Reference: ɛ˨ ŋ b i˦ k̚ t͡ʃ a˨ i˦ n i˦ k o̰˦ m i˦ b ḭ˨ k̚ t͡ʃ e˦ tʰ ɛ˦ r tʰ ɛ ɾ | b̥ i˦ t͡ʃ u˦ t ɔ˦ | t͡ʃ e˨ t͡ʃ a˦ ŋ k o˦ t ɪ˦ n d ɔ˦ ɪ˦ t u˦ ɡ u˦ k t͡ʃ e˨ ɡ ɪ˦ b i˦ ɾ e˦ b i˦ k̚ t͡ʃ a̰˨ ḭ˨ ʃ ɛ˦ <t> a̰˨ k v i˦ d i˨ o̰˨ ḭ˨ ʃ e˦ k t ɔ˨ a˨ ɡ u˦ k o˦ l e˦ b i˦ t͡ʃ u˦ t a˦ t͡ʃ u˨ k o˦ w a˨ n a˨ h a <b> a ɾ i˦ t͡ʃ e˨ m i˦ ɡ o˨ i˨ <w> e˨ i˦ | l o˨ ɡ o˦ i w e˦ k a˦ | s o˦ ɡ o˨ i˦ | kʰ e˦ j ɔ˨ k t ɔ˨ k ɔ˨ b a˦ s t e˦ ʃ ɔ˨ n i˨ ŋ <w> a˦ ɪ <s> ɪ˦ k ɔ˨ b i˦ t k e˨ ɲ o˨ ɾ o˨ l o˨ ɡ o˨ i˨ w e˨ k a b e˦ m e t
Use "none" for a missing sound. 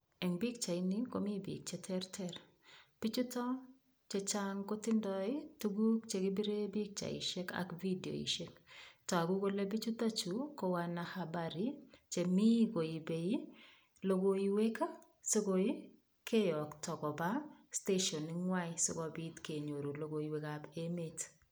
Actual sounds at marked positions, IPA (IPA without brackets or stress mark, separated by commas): k, b, b, w, s